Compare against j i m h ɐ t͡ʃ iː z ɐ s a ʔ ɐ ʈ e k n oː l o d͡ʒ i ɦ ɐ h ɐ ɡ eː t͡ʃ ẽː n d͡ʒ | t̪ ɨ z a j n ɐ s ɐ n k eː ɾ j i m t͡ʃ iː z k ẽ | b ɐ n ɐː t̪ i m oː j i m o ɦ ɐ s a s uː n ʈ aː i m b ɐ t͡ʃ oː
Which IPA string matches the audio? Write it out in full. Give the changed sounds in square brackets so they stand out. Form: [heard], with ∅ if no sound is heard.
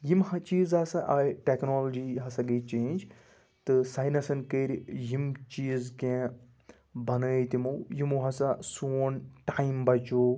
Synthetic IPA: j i m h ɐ t͡ʃ iː z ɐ s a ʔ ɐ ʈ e k n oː l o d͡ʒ i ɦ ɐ [s] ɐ ɡ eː t͡ʃ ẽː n d͡ʒ | t̪ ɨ [s] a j n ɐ s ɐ n k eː ɾ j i m t͡ʃ iː z k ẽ | b ɐ n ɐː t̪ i m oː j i m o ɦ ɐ s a s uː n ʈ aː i m b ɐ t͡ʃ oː